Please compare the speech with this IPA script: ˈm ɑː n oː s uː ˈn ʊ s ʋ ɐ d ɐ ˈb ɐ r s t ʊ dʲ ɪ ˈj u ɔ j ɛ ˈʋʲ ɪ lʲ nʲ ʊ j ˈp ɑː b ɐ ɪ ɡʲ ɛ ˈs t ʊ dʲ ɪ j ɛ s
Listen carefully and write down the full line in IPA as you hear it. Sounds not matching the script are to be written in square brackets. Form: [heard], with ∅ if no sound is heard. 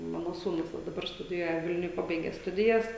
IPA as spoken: ˈm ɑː n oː s uː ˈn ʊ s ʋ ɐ d ɐ ˈb ɐ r s t ʊ dʲ ɪ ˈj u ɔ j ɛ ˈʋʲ ɪ lʲ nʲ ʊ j ˈp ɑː b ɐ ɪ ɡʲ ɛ ˈs t ʊ dʲ ɪ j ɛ s